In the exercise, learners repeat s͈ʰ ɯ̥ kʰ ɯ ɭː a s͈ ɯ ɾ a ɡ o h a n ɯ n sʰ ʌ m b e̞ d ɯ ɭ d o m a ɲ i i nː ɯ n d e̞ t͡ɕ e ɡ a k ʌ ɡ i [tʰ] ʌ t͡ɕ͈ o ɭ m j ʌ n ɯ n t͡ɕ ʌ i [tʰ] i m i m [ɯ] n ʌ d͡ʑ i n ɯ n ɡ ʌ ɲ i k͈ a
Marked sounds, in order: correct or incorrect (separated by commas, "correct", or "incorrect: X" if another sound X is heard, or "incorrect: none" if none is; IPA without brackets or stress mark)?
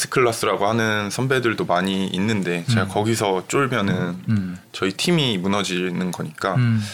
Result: incorrect: sʰ, correct, incorrect: u